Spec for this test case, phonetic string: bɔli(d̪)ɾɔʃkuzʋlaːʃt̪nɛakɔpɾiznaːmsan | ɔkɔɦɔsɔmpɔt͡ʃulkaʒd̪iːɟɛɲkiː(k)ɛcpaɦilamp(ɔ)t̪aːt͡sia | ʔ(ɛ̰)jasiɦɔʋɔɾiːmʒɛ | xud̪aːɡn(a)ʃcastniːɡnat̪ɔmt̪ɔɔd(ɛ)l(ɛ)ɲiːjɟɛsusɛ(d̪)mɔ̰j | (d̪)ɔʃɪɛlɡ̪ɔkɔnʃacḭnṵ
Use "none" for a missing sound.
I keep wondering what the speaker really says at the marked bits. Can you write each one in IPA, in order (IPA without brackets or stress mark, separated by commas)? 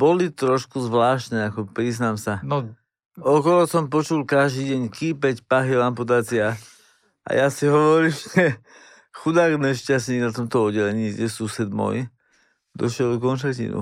t̪, p, u, a̰, ɛ, ɛ, ɛ, d̪, d̪